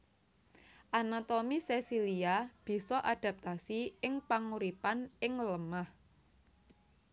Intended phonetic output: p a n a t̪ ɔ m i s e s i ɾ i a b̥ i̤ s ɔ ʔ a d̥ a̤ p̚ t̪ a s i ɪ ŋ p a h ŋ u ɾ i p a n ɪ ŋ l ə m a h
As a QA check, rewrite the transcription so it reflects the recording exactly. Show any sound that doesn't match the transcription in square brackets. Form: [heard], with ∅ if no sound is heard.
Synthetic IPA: [ʔ] a n a t̪ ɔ m i s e s i [l] i a b̥ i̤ s ɔ ʔ a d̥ a̤ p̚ t̪ a s i ɪ ŋ p a [∅] ŋ u ɾ i p a n ɪ ŋ l ə m a h